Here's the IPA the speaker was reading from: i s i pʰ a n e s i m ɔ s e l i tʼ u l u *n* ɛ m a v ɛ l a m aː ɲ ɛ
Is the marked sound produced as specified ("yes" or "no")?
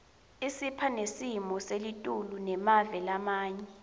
yes